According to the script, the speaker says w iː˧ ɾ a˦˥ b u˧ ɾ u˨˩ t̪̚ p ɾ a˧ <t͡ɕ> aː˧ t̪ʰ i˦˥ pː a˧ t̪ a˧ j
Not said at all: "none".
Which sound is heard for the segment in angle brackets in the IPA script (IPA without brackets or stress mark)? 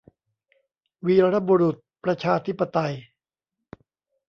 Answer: t͡ɕʰ